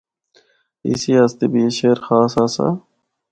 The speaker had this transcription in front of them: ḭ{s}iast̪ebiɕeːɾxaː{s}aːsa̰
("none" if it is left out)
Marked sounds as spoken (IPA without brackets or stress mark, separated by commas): s, s